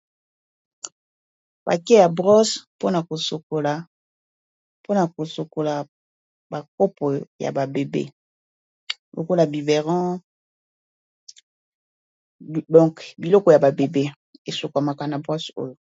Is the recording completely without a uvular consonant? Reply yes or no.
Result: no